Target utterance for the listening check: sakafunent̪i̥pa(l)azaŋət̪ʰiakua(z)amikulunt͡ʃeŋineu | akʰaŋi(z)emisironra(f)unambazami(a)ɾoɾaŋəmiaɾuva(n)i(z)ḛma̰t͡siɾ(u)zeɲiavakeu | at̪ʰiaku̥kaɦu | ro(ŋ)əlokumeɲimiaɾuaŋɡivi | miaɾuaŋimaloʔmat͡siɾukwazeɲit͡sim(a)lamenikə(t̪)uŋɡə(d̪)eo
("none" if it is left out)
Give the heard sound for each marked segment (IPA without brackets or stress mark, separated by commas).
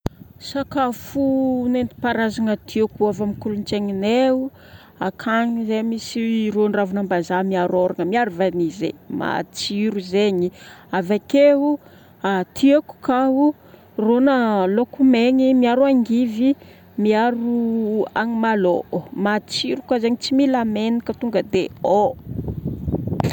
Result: ɾ, v, z, v, a, n, z, u, n, i, t̪, d̪